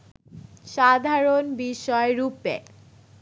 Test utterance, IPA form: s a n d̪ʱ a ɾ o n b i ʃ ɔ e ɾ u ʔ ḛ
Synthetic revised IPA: ʃ a d̪ʱ a ɾ o n b i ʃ ɔ e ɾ u p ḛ